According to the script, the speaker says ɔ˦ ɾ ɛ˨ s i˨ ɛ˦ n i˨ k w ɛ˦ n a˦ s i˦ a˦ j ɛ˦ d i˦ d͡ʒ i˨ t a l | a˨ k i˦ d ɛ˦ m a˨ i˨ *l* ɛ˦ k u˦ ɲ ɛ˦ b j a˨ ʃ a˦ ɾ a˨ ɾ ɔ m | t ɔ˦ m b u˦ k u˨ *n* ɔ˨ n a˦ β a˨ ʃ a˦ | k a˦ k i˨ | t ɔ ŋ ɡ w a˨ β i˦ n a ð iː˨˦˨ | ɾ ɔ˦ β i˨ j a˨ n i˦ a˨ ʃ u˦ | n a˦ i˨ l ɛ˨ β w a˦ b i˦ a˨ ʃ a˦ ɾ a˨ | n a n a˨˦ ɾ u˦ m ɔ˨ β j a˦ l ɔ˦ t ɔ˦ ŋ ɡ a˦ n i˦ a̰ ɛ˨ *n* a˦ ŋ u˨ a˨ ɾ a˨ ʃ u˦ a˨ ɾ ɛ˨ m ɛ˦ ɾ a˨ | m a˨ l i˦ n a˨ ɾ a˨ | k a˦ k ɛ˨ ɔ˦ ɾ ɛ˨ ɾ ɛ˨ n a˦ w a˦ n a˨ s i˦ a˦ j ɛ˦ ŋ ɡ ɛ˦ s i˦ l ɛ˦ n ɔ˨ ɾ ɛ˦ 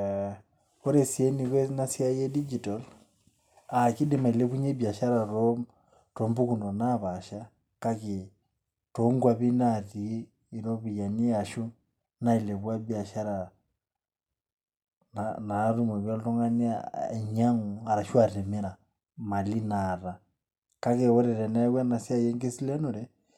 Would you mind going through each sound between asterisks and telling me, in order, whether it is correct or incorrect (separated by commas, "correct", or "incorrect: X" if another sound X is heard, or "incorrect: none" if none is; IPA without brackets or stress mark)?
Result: correct, correct, incorrect: ɲ